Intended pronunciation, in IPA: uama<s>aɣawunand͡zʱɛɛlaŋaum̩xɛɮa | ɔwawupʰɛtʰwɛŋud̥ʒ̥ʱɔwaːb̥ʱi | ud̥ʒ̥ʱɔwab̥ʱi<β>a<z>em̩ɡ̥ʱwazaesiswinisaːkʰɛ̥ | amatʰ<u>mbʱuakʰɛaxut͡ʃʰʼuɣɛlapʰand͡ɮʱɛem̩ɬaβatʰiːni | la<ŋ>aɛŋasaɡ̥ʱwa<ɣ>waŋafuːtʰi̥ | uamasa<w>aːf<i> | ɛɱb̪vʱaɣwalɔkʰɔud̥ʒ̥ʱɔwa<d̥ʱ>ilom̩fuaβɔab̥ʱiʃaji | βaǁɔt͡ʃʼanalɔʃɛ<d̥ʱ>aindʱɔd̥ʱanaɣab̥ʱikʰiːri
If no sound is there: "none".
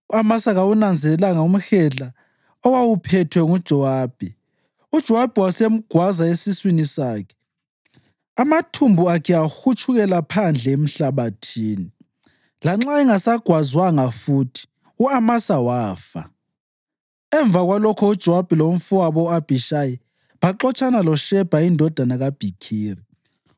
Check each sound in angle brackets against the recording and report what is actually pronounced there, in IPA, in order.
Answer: s, w, s, u, ŋ͡ǁ, z, w, a, b̥ʱ, b̥ʱ

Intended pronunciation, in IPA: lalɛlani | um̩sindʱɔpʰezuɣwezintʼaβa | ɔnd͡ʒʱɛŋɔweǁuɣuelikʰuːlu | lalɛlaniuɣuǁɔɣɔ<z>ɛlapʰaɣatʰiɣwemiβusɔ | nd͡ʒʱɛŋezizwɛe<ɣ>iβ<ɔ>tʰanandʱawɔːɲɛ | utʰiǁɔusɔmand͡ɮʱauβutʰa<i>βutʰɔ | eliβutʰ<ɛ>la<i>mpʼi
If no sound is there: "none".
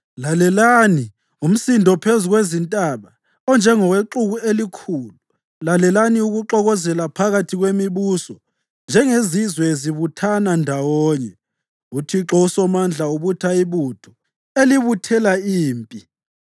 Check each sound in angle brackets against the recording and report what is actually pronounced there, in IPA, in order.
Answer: z, z, u, i, ɛ, iː

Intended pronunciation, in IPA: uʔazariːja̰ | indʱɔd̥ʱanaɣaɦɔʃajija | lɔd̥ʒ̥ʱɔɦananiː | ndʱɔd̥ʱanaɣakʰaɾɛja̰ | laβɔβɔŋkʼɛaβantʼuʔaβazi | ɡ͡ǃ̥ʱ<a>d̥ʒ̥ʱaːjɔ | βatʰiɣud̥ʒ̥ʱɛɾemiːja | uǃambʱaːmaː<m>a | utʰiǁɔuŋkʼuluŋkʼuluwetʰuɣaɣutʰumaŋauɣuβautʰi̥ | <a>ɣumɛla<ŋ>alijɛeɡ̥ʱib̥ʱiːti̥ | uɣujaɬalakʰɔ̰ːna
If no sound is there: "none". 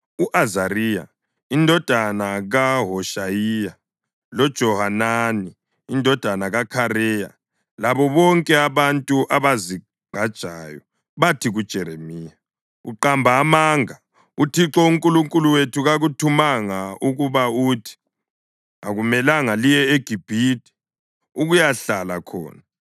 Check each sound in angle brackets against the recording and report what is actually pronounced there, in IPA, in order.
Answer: a, ŋ, a, ŋ

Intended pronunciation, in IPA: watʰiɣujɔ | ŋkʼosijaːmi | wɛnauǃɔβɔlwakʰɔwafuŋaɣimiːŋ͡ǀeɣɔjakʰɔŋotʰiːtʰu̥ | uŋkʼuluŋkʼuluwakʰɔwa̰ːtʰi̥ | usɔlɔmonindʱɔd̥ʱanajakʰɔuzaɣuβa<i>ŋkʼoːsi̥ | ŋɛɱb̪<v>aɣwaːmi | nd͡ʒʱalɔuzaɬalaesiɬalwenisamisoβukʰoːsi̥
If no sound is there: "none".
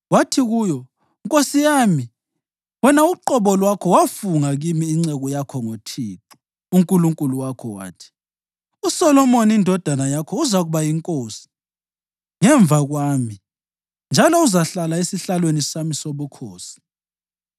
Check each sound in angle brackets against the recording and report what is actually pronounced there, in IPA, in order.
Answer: i, v

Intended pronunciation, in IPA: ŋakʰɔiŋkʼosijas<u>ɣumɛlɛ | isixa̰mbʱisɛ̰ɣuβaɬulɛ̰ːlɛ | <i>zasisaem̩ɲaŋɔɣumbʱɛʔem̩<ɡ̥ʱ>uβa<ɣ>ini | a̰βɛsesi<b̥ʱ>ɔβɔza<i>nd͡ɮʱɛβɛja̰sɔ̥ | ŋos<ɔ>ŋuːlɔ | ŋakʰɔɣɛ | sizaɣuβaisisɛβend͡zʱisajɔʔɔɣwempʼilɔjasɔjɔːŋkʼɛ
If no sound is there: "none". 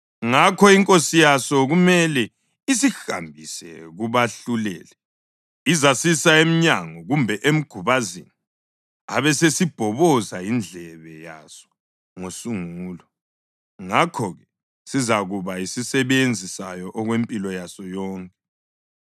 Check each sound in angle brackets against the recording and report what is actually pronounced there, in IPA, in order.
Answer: ɔ, i, ɡ̥ʱ, z, b̥ʱ, i, u

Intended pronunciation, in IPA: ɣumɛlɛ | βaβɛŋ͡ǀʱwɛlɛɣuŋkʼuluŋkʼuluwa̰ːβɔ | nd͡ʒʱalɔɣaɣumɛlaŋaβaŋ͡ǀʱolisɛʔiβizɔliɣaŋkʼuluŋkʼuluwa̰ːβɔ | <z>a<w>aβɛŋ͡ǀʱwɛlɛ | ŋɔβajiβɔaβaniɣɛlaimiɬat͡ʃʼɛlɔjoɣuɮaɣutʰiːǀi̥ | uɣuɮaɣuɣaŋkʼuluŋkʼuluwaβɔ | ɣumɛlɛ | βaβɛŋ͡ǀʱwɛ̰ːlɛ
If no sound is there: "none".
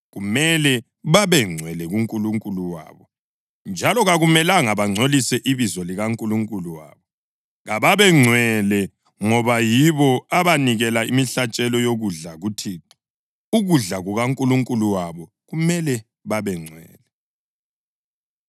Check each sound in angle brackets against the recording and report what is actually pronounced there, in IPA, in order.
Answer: ɣ, β

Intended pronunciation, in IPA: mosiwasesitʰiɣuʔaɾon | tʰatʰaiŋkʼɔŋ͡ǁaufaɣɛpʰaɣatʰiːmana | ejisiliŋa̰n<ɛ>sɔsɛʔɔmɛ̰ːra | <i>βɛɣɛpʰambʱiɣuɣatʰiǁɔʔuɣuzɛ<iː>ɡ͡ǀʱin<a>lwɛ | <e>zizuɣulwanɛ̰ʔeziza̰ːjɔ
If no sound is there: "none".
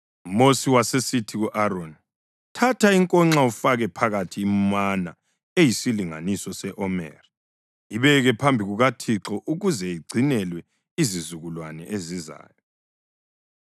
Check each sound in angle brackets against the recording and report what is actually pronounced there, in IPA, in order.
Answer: i, i, i, ɛ, i

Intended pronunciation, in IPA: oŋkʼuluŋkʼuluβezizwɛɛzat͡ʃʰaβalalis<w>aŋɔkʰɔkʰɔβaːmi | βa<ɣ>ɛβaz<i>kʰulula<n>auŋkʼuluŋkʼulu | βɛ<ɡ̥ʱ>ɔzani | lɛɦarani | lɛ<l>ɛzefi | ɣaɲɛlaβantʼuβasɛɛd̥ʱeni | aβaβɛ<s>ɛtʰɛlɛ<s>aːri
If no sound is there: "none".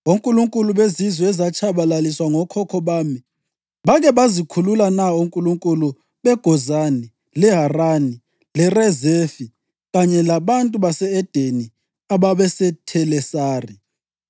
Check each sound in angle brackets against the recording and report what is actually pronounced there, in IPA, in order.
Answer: w, ɣ, i, n, ɡ̥ʱ, r, s, s

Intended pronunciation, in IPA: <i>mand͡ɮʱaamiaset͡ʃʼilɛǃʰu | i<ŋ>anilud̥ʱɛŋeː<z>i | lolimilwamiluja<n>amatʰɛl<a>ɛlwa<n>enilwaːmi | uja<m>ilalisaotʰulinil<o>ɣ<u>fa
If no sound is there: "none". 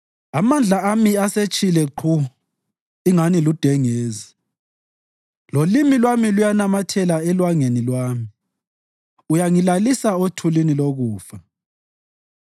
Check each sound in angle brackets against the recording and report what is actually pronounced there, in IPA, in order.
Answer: a, ŋ, z, n, a, ŋ, ŋ, o, uː

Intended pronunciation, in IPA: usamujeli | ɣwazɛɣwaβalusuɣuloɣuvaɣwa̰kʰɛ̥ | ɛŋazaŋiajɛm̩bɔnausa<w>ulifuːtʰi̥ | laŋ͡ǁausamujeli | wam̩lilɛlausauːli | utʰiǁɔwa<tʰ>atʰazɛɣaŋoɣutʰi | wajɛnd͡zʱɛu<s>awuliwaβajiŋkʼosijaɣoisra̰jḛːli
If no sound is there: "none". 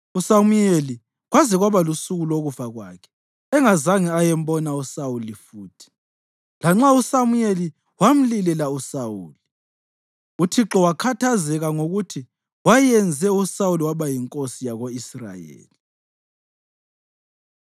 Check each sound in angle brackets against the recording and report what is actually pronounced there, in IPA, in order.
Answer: w, kʰ, s

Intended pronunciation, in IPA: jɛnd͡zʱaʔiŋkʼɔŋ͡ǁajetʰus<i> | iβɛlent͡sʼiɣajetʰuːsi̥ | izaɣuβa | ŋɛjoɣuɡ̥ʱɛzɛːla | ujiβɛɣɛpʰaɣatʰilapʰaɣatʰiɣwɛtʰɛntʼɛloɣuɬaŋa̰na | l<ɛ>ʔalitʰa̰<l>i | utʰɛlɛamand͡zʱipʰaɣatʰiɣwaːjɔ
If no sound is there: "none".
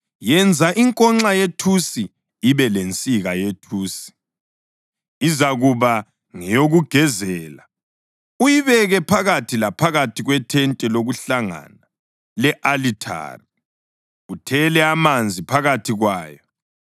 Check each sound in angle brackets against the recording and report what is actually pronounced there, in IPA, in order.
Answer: i, ɛ, r

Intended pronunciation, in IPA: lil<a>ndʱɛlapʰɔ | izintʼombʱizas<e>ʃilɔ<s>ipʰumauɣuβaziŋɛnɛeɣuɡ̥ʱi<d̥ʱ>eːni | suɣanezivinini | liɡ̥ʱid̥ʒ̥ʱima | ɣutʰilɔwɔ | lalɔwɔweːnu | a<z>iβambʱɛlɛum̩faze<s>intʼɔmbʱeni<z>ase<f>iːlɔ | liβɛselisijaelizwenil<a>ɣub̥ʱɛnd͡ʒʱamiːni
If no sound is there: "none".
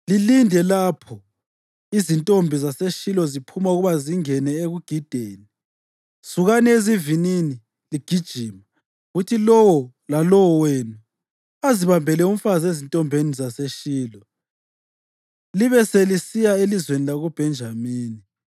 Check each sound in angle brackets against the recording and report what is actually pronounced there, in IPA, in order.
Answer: i, e, z, d̥ʱ, z, z, z, ʃ, a

